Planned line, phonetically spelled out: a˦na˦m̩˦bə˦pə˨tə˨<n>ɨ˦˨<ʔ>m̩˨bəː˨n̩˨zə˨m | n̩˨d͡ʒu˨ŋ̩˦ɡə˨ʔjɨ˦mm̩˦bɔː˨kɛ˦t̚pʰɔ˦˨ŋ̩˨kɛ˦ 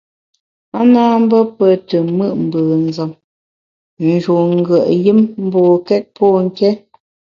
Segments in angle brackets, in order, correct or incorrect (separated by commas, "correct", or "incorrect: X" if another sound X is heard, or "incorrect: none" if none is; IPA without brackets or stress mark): incorrect: m, correct